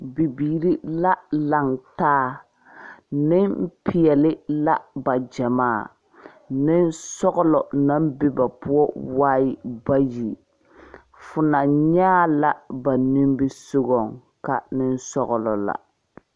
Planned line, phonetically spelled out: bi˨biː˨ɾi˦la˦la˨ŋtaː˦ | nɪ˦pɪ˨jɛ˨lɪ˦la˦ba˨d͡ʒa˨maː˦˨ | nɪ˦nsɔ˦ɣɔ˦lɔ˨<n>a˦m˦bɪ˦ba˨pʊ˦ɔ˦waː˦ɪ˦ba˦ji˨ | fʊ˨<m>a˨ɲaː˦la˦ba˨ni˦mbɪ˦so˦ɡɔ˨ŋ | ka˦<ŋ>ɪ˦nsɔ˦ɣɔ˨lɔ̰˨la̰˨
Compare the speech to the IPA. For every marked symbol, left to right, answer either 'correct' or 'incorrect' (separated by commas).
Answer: correct, incorrect, incorrect